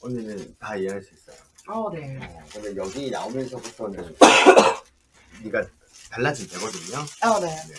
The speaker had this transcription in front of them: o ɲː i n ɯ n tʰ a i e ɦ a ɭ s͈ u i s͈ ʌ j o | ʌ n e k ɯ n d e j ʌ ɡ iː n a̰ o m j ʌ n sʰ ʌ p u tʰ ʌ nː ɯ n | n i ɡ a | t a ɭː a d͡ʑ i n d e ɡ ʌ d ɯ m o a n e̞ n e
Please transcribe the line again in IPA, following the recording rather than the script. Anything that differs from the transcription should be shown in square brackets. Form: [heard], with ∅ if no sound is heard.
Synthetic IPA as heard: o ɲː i n ɯ n [t] a i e ɦ a ɭ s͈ u i s͈ ʌ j o | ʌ n e k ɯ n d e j ʌ ɡ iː n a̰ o m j ʌ n sʰ ʌ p u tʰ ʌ [n] ɯ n | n i ɡ a | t a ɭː a d͡ʑ i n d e ɡ ʌ d ɯ [ɲ] o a n e̞ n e